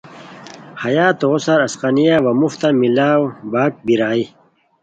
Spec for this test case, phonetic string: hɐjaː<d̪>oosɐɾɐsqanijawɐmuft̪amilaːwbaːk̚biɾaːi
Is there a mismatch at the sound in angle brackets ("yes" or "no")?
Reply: yes